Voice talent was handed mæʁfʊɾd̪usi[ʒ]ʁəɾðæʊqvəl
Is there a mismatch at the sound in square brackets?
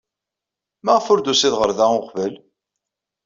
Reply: yes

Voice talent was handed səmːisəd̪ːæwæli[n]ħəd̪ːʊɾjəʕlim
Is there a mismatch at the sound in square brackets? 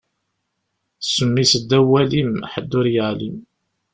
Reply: yes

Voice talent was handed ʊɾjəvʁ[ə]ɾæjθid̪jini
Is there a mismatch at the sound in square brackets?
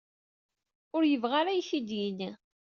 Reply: yes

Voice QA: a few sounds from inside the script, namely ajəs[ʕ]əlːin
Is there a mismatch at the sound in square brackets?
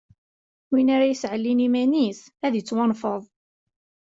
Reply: no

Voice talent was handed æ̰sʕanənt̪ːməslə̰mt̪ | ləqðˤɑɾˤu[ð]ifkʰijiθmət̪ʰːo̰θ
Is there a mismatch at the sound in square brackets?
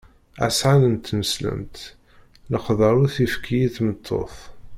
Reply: yes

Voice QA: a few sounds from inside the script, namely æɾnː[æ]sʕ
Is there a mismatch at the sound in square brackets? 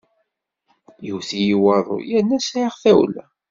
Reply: no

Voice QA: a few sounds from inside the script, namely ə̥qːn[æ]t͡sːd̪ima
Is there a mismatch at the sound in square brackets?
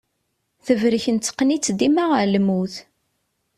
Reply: yes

